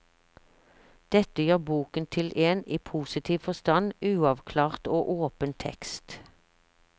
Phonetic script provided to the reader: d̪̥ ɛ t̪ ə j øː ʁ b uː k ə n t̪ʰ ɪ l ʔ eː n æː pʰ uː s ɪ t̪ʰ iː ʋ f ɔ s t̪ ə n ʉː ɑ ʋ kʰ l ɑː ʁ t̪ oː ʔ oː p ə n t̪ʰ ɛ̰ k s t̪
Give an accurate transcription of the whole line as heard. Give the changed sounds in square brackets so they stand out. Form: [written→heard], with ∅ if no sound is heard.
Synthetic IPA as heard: d̪̥ ɛ t̪ ə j øː ʁ b uː k ə n t̪ʰ ɪ l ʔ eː n [æː→iː] pʰ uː s ɪ t̪ʰ iː ʋ f ɔ s t̪ [ə→ɑ] n ʉː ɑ ʋ kʰ l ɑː ʁ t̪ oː ʔ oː p ə n t̪ʰ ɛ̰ k s t̪